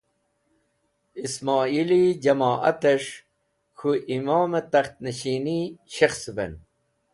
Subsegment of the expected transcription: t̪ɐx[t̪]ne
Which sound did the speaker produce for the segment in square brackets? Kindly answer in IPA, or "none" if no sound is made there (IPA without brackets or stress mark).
t̪